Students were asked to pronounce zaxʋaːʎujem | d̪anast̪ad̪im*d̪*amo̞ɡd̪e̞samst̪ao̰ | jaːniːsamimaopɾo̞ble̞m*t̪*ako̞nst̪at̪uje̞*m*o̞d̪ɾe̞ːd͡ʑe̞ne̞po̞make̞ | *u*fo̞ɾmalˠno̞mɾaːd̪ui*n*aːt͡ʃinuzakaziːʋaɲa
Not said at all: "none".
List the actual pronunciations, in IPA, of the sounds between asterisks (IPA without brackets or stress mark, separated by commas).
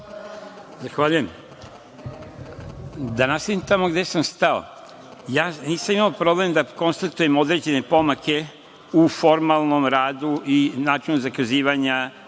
t̪, d̪, m, u, n